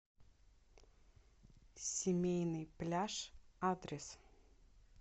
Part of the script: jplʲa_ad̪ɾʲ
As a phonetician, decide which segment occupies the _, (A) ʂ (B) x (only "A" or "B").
A